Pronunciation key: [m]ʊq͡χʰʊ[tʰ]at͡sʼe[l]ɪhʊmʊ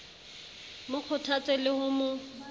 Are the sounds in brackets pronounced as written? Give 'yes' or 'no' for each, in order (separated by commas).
yes, yes, yes